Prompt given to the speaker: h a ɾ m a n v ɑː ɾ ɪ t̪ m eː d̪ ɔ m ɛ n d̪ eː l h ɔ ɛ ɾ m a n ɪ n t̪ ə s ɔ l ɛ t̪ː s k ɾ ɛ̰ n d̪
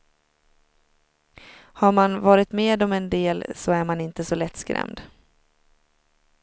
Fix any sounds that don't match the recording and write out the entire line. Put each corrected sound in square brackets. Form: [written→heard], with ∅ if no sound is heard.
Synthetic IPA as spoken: h a ɾ m a n v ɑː ɾ ɪ t̪ m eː d̪ ɔ m ɛ n d̪ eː l [h→s] ɔ [ɛ→æ] ɾ m a n ɪ n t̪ ə s ɔ l ɛ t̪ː s k ɾ ɛ̰ [n→m] d̪